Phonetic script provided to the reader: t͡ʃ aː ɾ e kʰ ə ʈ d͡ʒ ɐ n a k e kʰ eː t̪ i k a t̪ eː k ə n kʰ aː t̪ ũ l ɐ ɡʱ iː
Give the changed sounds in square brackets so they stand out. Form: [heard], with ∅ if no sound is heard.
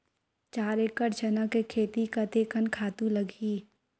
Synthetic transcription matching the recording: t͡ʃ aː ɾ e [k] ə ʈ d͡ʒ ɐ n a k e kʰ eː t̪ i k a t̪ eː k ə n kʰ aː t̪ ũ l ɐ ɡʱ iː

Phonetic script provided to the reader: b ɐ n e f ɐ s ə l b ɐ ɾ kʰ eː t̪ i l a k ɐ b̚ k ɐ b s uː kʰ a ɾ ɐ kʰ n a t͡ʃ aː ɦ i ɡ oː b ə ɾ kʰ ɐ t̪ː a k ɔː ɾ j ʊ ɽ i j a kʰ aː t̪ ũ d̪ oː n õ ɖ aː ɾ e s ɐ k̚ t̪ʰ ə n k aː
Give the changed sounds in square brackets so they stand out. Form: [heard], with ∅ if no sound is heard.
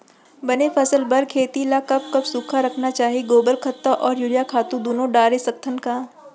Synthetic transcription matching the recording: b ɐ n e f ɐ s ə l b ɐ ɾ kʰ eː t̪ i l a k ɐ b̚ k ɐ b s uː kʰ a ɾ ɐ kʰ n a t͡ʃ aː ɦ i ɡ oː b ə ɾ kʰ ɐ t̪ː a [ʔ] ɔː ɾ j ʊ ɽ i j a kʰ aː t̪ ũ d̪ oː n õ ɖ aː ɾ e s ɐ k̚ t̪ʰ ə n k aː

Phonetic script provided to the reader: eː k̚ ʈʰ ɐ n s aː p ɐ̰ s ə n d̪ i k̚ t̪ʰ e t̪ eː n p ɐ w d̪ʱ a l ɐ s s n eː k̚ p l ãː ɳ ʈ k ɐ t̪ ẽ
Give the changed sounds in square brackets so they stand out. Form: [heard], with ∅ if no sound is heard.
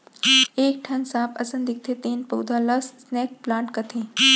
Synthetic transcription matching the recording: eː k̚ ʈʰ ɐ n s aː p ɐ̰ s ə n d̪ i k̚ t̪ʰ e t̪ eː n p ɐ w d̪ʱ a l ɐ s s n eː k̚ p l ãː ɳ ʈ k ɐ [t̪ʰ] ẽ

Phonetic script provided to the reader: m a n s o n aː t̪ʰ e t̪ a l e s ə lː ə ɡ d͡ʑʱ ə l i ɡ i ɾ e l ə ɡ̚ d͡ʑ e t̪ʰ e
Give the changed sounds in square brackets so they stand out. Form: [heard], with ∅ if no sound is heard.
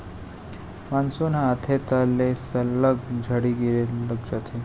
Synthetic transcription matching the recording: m a n s o n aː t̪ʰ e t̪ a l e s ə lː ə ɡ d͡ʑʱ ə [ɽ] i ɡ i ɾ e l ə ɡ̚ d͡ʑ [a] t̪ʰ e

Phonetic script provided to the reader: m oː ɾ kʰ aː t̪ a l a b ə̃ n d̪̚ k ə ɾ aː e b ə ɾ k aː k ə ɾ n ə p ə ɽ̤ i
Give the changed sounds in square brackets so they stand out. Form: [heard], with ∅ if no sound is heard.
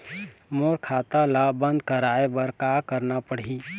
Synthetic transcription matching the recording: m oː ɾ kʰ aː t̪ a l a b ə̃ n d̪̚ k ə ɾ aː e b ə ɾ k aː k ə ɾ n [a] p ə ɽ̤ i

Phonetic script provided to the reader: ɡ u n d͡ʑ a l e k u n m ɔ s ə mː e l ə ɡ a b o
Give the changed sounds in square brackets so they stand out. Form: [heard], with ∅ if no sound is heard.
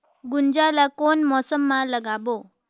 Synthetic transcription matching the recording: ɡ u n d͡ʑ a l [a] k [o] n m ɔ s ə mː [a] l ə ɡ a b o

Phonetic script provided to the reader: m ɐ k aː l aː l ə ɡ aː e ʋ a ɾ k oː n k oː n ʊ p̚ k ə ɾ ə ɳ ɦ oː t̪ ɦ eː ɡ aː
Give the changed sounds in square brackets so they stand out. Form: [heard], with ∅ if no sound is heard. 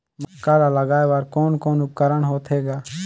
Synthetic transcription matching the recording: m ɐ k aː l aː l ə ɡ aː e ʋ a ɾ k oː n k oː n ʊ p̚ k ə ɾ ə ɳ ɦ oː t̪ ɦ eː ɡ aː

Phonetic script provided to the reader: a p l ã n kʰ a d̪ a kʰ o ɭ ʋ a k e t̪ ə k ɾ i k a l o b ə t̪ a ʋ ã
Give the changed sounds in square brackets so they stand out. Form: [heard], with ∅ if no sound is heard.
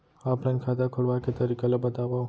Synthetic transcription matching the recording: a p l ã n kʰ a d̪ a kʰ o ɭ ʋ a k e t̪ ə [∅] ɾ i k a l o b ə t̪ a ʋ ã

